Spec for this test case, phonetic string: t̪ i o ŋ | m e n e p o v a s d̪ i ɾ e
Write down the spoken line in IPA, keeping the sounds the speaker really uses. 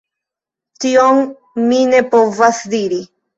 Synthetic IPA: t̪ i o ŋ | m i n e p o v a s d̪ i ɾ i

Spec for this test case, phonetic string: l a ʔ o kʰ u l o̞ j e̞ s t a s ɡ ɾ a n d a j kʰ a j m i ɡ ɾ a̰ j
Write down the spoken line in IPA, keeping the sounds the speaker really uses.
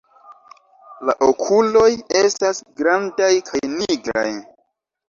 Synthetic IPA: l a ʔ o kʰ u l o̞ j e̞ s t a s ɡ ɾ a n d a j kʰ a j n i ɡ ɾ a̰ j

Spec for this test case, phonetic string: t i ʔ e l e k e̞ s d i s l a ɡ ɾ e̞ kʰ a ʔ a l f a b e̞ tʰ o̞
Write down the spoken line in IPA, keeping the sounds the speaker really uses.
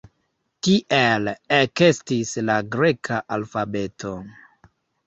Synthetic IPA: t i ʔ e l e k e̞ s t i s l a ɡ ɾ e̞ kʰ a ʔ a l f a b e̞ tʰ o̞

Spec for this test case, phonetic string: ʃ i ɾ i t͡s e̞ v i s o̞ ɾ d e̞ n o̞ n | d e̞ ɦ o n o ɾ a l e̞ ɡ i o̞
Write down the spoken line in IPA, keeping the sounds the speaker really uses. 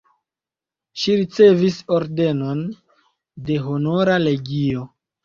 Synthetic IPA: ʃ i ɾ i t͡s e̞ v i s o̞ ɾ d e̞ n o̞ n | d e̞ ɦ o n o ɾ a l e̞ ɡ i o̞

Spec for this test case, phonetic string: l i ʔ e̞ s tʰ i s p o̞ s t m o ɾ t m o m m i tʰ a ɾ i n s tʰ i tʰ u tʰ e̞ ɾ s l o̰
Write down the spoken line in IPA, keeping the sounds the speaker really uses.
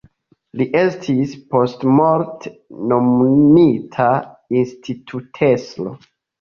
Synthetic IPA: l i ʔ e̞ s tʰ i s p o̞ s t m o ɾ t n o m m i tʰ a i n s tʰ i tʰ u tʰ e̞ s l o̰

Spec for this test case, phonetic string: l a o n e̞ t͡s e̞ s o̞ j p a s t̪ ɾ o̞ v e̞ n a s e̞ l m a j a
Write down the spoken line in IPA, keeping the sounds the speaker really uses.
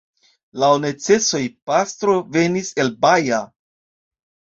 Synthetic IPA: l a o n e̞ t͡s e̞ s o̞ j p a s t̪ ɾ o̞ v e̞ n i s e̞ l b a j a

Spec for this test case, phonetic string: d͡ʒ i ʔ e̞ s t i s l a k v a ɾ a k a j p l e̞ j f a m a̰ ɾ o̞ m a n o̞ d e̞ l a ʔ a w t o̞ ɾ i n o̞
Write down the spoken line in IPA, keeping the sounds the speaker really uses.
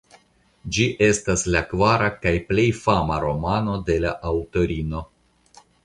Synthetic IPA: d͡ʒ i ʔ e̞ s t a s l a k v a ɾ a k a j p l e̞ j f a m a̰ ɾ o̞ m a n o̞ d e̞ l a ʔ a w t o̞ ɾ i n o̞

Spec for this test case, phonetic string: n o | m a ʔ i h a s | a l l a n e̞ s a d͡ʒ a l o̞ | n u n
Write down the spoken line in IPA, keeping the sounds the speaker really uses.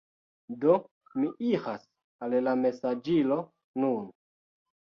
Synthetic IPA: d o | m i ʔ i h a s | a l l a m e̞ s a d͡ʒ i l o̞ | n u n

